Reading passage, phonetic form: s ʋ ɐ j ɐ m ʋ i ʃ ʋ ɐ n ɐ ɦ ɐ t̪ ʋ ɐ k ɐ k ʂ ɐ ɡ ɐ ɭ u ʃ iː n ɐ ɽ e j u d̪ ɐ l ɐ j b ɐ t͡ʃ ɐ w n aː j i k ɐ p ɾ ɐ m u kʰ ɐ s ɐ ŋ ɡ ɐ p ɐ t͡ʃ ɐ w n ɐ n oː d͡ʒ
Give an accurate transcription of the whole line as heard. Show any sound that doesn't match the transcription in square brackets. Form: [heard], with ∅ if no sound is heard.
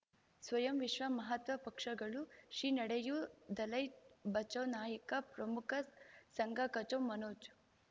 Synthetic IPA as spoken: s ʋ ɐ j ɐ m ʋ i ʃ ʋ ɐ [m] ɐ ɦ ɐ t̪ ʋ ɐ [p] ɐ k ʂ ɐ ɡ ɐ ɭ u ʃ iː n ɐ ɽ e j u d̪ ɐ l ɐ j b ɐ t͡ʃ ɐ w n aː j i k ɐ p ɾ ɐ m u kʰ ɐ s ɐ ŋ ɡ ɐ [k] ɐ t͡ʃ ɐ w [m] ɐ n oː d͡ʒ